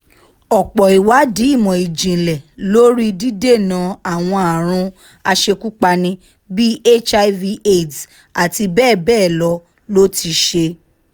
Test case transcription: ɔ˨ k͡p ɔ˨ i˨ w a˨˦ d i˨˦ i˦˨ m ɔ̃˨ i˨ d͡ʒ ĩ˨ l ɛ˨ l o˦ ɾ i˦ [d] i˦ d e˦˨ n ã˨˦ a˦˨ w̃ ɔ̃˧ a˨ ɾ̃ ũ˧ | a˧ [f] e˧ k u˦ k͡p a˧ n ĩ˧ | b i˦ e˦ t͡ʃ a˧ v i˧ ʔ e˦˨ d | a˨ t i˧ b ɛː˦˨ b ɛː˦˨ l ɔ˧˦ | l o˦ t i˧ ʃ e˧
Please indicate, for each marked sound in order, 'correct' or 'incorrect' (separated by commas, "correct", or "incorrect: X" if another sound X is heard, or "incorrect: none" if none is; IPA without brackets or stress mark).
correct, incorrect: ʃ